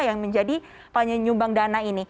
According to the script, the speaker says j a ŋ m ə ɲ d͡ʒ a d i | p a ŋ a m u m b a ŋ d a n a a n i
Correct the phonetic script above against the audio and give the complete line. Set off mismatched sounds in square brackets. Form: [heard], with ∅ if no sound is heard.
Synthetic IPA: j a ŋ m ə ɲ d͡ʒ a d i | p a [ɲ] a [ɲ] u m b a ŋ d a n a [i] n i